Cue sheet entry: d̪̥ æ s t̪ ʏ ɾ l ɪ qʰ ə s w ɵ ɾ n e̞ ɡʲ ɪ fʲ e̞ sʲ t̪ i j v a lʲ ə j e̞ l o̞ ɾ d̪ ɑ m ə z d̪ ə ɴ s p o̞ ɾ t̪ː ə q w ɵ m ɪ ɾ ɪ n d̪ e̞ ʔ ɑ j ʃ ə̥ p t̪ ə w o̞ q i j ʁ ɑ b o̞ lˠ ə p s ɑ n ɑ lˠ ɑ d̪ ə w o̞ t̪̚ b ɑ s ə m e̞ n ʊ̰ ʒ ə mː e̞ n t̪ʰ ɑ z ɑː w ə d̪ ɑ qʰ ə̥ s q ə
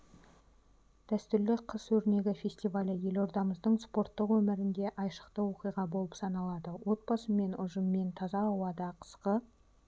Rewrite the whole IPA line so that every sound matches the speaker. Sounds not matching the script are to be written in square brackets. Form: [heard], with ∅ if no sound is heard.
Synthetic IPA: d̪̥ æ s t̪ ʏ ɾ l ɪ qʰ ə s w ɵ ɾ n e̞ ɡʲ ɪ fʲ e̞ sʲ t̪ i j v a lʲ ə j e̞ l o̞ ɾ d̪ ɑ m ə z d̪ ə ɴ s p o̞ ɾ t̪ː ə q w ɵ m ɪ ɾ ɪ n d̪ e̞ ʔ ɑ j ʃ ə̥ [q] t̪ ə w o̞ q i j ʁ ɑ b o̞ lˠ ə p s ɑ n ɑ lˠ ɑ d̪ ə w o̞ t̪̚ b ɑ s ə m e̞ n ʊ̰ ʒ ə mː e̞ n t̪ʰ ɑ z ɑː w [ɑ] d̪ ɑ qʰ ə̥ s q ə